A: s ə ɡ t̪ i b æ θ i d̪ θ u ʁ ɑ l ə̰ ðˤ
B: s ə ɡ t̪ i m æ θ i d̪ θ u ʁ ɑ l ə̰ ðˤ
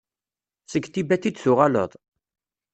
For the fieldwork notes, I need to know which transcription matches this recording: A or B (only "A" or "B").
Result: A